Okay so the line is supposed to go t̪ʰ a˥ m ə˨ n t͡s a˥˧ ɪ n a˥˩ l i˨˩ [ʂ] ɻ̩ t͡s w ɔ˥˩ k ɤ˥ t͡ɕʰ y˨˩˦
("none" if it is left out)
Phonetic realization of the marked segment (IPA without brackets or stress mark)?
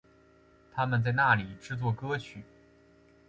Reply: ʈ͡ʂ